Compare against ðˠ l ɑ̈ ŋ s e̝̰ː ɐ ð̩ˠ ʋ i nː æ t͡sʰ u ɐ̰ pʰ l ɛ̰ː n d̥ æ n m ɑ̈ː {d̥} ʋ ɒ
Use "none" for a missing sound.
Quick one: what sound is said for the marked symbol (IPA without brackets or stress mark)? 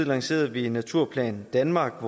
ɡ̥